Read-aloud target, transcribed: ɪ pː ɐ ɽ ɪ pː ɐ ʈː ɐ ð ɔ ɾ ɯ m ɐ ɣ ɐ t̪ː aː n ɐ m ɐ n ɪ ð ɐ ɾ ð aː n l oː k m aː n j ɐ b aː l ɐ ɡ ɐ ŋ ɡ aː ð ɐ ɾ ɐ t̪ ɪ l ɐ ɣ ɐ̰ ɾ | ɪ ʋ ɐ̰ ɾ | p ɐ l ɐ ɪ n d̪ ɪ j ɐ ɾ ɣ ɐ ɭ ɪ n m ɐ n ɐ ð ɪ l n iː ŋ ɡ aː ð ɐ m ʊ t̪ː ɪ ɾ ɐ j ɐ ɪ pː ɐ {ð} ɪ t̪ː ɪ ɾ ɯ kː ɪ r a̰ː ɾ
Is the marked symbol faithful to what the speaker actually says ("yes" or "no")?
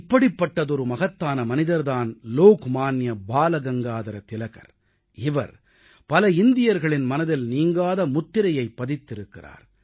yes